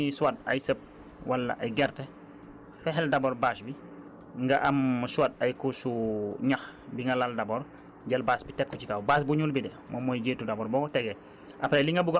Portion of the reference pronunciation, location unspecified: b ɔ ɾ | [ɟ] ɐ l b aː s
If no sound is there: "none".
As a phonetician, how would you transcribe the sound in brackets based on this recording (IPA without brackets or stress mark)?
ɟ